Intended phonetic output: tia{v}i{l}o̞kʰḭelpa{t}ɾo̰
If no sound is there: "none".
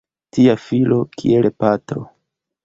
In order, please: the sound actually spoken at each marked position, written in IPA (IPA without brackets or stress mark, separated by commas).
f, l, t